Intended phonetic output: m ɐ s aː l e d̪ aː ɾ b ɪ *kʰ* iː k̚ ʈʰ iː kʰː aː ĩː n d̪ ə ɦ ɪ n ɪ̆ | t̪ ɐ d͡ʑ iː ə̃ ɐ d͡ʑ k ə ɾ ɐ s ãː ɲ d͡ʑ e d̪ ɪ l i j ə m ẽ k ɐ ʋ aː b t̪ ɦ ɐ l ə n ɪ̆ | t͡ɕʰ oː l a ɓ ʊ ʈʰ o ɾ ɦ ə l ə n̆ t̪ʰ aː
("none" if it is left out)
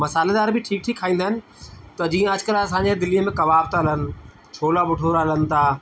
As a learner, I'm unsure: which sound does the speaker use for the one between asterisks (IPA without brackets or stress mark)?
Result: ʈʰ